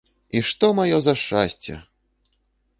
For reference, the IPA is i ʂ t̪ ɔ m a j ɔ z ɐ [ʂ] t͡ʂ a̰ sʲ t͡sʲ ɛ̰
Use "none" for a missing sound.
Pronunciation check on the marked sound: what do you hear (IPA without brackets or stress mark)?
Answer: ʂ